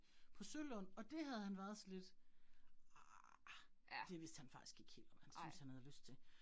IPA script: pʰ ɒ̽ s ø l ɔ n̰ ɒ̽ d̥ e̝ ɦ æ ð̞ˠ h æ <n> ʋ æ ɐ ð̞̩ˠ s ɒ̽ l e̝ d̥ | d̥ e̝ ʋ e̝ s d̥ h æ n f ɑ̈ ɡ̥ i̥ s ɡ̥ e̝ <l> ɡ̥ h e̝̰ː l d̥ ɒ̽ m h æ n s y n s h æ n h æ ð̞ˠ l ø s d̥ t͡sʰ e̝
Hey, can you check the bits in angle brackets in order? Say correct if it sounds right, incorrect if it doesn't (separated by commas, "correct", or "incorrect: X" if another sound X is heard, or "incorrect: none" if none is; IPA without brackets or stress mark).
correct, incorrect: none